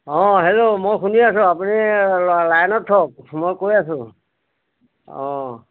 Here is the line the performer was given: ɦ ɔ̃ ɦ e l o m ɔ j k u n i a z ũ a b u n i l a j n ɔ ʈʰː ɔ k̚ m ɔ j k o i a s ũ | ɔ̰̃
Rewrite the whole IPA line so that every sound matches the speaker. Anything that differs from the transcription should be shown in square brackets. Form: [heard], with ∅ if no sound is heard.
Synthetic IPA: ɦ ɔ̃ ɦ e l o m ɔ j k u n i a [s] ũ a [p] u n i l a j n ɔ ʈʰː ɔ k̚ m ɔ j k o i a s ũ | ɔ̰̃